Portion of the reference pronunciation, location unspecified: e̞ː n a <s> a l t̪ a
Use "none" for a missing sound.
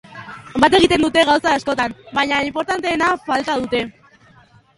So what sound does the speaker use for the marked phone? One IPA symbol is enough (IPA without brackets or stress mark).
f